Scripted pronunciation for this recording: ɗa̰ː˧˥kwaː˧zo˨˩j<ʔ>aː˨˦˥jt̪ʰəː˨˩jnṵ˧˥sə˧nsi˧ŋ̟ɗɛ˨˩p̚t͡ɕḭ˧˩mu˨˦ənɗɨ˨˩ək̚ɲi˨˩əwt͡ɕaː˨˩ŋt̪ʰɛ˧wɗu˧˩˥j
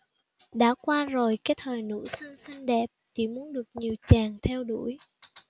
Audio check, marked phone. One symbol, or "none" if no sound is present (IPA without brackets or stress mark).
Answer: k